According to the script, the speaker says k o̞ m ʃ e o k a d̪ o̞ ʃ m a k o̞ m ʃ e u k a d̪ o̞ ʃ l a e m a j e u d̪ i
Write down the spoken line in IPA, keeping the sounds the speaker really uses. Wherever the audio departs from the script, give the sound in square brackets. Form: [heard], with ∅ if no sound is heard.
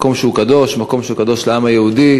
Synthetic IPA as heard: k o̞ m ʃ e [u] k a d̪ o̞ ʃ m a k o̞ m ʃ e u k a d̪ o̞ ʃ l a [a] m a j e u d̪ i